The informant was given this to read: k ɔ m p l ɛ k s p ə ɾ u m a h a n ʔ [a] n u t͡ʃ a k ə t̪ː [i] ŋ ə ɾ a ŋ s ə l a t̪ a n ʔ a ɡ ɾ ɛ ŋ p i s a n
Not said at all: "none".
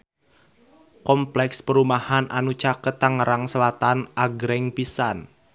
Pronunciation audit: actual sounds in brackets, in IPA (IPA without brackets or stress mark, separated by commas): a, a